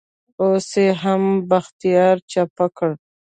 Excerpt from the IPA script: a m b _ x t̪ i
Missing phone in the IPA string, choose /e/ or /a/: a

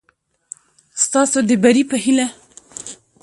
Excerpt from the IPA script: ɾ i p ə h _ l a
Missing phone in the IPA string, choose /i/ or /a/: i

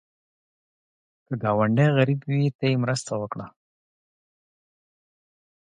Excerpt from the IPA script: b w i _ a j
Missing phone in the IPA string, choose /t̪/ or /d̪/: t̪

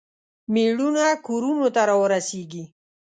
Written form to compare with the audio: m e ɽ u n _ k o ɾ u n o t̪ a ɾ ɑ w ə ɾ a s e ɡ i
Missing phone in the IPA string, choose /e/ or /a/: a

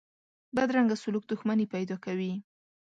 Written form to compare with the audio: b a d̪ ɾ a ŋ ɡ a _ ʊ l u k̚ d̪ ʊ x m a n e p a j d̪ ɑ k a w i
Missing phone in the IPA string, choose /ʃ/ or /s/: s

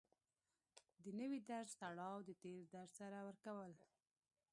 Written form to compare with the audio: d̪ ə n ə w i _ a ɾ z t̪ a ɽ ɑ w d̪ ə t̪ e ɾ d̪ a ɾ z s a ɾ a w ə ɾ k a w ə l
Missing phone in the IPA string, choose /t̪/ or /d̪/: d̪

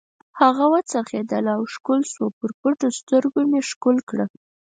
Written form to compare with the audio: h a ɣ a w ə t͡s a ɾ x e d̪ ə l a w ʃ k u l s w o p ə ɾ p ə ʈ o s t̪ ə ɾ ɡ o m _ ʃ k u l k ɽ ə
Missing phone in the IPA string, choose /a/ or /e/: e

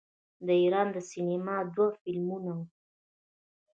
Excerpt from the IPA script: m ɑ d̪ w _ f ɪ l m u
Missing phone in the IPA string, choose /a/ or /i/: a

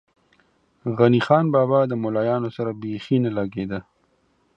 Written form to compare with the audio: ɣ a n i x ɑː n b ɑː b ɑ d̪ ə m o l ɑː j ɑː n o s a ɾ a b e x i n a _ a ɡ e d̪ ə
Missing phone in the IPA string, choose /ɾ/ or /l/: l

